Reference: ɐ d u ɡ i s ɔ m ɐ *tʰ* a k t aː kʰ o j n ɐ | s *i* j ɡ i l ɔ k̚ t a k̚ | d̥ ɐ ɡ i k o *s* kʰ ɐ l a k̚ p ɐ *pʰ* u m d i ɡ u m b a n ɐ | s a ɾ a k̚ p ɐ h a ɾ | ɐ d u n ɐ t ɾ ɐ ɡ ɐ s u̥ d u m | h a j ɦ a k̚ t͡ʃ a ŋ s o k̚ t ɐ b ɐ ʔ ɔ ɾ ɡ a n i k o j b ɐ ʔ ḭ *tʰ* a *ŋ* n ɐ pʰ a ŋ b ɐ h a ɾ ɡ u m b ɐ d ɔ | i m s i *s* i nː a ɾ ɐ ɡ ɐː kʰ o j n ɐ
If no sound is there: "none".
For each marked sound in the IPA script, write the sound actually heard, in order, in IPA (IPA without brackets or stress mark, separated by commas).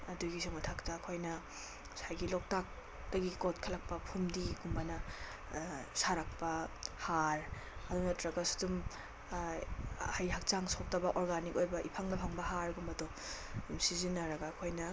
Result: tʰ, a, t, pʰ, pʰ, ŋ, z